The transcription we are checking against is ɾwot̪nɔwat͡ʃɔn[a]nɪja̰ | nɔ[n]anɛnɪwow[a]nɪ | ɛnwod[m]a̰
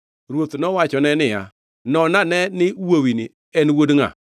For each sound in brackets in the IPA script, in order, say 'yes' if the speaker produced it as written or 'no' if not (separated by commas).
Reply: no, yes, no, no